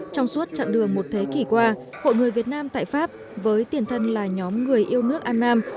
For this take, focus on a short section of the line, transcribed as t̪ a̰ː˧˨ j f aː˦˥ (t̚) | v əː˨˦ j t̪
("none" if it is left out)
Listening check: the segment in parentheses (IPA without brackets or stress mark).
p̚